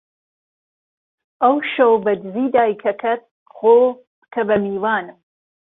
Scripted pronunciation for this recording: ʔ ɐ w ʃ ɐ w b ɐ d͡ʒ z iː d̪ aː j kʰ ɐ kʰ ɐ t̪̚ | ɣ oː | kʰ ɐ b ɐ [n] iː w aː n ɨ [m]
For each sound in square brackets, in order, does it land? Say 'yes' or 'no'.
no, yes

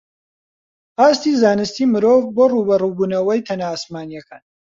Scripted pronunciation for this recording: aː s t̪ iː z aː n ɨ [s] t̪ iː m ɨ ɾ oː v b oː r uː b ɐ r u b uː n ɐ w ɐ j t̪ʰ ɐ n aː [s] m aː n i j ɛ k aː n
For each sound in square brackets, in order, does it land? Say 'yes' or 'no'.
yes, yes

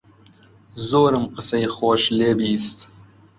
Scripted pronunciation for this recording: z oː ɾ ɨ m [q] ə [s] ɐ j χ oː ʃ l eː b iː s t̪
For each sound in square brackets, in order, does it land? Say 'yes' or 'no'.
yes, yes

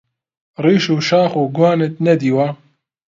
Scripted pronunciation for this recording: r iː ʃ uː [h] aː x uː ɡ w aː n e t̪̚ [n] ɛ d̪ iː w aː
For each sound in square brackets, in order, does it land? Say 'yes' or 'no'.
no, yes

